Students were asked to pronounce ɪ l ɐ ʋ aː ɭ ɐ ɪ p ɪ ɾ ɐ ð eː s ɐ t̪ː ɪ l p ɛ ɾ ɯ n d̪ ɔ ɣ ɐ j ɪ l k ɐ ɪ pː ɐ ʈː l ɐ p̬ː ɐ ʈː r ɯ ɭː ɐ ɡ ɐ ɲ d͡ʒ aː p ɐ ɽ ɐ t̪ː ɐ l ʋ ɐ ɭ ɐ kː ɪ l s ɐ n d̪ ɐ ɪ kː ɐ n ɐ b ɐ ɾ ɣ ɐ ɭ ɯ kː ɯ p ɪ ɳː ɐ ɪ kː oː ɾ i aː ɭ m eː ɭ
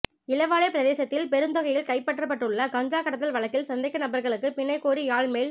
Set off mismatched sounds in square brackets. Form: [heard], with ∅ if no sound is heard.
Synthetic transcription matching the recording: ɪ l ɐ ʋ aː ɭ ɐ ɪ p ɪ ɾ ɐ ð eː s ɐ t̪ː ɪ l p ɛ ɾ ɯ n d̪ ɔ ɣ ɐ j ɪ l k ɐ ɪ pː ɐ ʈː [r] ɐ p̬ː ɐ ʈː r ɯ ɭː ɐ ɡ ɐ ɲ d͡ʒ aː [k] ɐ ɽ ɐ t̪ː ɐ l ʋ ɐ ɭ ɐ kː ɪ l s ɐ n d̪ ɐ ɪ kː ɐ n ɐ b ɐ ɾ ɣ ɐ ɭ ɯ kː ɯ p ɪ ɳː ɐ ɪ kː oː ɾ i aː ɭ m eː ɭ